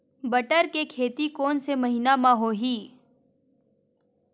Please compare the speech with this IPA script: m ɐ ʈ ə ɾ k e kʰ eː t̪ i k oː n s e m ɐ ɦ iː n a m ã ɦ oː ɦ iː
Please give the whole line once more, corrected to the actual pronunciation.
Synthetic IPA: b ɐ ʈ ə ɾ k e kʰ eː t̪ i k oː n s e m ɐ ɦ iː n a m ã ɦ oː ɦ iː